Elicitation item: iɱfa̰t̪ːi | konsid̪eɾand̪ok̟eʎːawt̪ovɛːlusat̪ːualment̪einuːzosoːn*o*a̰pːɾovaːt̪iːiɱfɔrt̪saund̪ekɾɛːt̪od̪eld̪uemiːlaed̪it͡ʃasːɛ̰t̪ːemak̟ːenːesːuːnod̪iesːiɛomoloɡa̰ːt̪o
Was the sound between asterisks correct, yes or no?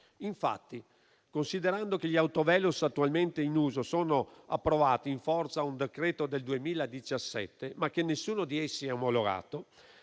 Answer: yes